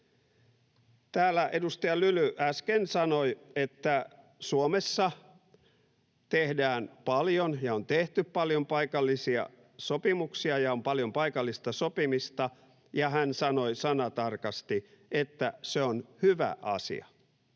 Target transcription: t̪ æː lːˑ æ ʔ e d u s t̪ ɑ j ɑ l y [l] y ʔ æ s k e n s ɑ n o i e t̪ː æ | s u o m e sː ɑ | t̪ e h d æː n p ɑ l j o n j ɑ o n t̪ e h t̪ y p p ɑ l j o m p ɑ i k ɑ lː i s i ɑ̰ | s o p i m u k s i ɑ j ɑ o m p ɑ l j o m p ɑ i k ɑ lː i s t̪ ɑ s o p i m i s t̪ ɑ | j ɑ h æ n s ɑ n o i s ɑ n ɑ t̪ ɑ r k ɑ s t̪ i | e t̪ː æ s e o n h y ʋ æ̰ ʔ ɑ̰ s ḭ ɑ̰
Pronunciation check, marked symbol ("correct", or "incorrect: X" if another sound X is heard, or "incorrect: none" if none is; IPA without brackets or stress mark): correct